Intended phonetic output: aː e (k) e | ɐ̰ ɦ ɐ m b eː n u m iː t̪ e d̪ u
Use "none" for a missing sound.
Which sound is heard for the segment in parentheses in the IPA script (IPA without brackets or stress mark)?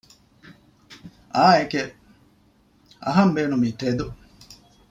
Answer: k